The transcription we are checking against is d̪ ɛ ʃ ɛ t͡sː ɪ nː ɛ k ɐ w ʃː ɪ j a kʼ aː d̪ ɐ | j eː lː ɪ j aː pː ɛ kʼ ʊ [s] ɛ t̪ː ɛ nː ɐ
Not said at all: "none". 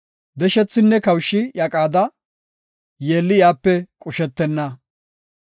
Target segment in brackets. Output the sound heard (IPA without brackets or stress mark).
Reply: ʃ